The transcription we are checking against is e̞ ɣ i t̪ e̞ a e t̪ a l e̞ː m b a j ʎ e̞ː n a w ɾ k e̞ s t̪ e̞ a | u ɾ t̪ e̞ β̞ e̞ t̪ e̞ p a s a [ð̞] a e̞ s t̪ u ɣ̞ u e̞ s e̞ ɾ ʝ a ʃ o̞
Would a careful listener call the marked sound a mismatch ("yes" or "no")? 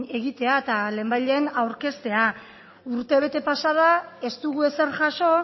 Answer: no